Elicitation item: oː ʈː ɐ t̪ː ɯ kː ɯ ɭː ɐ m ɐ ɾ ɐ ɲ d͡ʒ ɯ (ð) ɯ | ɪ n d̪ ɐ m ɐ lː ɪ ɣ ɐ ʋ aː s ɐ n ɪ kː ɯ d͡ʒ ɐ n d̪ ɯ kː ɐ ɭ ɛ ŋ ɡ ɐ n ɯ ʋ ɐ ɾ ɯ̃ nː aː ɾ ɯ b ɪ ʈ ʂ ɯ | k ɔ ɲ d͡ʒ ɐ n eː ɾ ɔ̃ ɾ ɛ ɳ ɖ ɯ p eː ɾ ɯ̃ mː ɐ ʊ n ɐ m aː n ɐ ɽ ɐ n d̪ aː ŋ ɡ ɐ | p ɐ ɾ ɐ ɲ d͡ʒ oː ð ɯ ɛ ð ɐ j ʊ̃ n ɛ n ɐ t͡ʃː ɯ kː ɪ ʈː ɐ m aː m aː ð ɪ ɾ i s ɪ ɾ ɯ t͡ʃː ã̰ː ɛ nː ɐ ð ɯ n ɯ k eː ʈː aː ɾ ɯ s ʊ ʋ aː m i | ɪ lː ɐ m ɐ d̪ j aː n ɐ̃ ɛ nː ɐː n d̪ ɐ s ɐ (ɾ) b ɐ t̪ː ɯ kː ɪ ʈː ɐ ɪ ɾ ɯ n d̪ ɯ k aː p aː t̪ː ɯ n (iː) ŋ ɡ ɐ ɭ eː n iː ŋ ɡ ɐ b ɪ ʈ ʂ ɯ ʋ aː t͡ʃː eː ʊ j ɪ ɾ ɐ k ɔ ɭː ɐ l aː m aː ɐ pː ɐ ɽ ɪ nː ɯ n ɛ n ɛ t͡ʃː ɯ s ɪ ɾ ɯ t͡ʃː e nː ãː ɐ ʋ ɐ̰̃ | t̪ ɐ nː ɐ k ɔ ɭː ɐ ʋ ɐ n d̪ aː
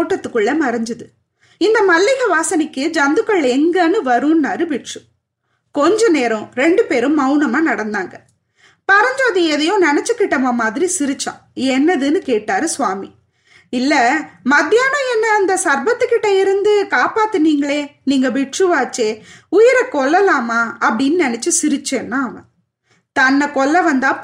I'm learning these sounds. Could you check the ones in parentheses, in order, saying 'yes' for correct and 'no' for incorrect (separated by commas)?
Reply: yes, yes, yes